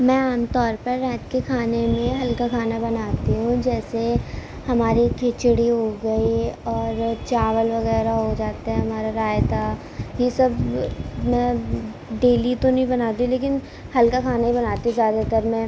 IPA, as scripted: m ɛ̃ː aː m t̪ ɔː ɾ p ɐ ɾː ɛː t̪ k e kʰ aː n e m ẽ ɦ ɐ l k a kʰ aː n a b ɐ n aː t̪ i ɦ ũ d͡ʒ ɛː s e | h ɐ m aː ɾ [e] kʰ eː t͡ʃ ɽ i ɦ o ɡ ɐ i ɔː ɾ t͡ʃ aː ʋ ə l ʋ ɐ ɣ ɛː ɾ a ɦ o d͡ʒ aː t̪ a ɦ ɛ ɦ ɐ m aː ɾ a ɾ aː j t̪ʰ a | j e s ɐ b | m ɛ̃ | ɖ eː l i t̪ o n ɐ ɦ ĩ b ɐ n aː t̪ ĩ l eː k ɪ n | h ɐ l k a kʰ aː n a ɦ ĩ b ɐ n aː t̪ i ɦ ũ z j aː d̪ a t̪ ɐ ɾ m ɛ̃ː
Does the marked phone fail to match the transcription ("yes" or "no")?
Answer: yes